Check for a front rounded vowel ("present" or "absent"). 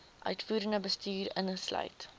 present